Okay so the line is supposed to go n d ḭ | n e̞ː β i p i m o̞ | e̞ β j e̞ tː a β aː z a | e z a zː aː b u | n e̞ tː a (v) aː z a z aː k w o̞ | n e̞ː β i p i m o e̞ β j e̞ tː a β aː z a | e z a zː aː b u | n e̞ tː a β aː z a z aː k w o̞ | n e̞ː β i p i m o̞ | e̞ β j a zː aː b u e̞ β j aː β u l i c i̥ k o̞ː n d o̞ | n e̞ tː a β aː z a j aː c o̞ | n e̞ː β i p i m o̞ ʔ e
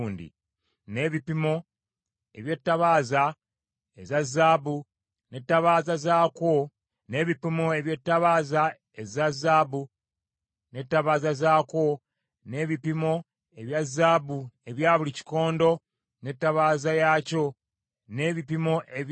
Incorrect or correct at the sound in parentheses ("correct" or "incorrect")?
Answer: incorrect